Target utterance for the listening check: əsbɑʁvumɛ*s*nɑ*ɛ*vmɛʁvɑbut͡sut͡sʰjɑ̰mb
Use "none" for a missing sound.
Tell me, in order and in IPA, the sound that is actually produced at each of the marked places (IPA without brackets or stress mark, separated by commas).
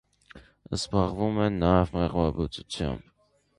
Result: none, ɛ